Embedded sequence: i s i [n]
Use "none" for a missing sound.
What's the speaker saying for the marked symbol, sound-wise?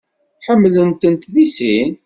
n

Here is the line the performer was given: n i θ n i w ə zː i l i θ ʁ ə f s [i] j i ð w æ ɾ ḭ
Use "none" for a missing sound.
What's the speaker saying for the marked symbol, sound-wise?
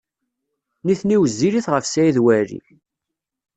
æ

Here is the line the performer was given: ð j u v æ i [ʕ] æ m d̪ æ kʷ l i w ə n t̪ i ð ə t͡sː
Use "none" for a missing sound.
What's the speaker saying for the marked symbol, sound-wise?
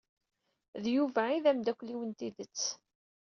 ð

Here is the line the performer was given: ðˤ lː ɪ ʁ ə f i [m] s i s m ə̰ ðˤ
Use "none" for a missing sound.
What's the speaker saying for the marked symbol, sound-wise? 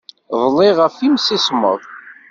m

